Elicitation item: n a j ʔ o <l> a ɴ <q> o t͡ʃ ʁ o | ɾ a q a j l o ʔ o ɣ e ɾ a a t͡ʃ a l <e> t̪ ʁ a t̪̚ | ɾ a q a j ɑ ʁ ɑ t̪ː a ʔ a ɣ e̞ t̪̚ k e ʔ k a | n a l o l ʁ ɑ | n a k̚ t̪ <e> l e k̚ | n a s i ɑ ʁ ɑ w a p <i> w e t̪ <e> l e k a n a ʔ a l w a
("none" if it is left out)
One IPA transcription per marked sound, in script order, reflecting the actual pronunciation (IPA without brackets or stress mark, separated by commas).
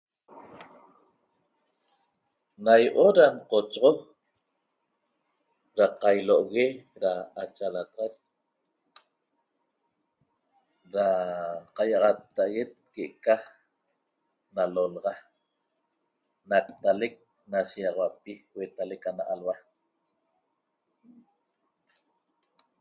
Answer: ɾ, q, a, a, i, a